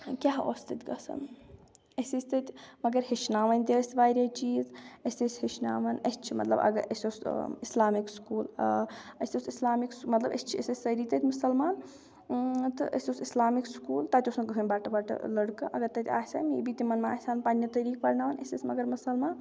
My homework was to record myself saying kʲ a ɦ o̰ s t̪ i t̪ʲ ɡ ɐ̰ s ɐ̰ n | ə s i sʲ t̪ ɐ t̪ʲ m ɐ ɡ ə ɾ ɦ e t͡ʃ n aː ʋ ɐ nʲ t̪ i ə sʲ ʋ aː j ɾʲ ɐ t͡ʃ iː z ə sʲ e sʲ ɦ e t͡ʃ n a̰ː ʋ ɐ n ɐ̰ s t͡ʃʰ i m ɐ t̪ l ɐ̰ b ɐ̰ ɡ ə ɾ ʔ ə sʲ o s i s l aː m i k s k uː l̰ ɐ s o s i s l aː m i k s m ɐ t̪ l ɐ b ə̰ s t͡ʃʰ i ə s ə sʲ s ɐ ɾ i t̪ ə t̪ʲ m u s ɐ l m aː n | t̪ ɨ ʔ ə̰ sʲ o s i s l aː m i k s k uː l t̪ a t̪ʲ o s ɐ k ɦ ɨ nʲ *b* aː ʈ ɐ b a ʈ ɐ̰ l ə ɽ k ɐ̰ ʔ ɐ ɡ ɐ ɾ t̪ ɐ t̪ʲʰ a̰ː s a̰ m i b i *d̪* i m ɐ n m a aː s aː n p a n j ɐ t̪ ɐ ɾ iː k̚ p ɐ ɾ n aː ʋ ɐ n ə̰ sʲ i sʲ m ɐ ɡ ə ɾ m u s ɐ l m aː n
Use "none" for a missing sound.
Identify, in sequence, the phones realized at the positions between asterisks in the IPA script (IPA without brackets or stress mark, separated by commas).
b, t̪